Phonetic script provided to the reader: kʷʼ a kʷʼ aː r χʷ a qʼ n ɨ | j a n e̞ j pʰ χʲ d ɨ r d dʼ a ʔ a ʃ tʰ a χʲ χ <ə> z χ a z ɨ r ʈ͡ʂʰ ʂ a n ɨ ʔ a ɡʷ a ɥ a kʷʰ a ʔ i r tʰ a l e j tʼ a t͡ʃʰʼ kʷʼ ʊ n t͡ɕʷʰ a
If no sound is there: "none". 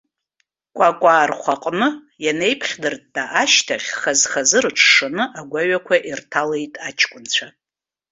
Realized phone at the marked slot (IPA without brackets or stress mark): a